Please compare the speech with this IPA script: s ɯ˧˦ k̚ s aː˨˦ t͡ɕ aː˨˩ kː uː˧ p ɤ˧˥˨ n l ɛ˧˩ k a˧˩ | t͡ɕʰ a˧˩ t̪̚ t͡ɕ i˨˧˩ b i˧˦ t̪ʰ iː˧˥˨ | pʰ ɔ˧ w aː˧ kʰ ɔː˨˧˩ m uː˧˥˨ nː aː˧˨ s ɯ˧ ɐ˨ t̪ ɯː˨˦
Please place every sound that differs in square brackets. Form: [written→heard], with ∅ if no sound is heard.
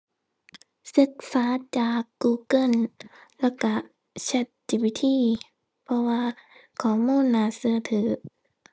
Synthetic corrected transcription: s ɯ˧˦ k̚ s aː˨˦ t͡ɕ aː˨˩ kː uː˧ [p→k] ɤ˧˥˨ n l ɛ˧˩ k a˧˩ | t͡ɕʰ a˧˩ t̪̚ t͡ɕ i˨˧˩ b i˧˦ t̪ʰ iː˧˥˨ | pʰ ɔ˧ w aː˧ kʰ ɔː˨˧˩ m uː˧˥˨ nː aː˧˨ s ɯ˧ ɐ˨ [t̪→t̪ʰ] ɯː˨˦